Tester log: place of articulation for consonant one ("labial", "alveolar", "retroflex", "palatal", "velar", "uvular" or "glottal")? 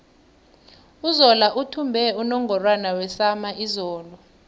alveolar